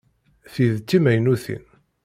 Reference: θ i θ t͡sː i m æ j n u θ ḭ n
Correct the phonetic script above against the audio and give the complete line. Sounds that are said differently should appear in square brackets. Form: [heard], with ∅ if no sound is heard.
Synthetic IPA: θ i [ð] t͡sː i m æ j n u θ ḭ n